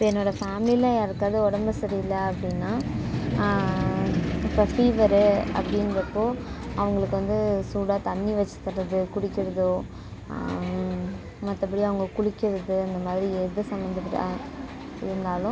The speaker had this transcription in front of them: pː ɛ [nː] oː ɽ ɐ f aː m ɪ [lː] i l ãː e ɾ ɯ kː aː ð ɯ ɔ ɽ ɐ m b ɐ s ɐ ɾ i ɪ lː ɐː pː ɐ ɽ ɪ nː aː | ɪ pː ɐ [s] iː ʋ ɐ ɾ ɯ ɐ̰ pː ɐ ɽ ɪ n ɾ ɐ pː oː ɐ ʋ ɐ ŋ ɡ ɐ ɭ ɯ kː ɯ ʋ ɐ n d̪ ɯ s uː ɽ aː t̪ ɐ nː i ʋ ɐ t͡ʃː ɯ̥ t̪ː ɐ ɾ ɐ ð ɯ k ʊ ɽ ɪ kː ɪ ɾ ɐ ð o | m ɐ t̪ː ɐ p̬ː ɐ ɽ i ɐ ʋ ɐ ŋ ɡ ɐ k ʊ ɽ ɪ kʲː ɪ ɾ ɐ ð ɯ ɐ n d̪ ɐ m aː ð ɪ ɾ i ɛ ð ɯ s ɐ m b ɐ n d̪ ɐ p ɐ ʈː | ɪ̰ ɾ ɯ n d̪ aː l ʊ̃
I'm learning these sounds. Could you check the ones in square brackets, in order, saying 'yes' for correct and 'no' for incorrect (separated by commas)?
yes, no, no